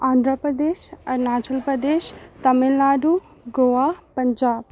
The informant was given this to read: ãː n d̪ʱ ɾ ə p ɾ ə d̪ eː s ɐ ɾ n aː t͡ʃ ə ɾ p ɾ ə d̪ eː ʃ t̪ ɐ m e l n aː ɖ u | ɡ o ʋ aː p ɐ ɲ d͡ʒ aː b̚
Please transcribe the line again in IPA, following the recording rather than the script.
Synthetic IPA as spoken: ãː n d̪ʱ ɾ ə p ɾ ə d̪ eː ʃ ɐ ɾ n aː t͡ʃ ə l p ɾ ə d̪ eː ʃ t̪ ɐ m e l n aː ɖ u | ɡ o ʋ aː p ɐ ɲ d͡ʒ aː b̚